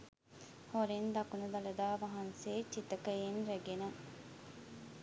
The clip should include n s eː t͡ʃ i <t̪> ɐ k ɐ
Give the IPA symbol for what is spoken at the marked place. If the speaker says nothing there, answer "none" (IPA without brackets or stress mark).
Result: t̪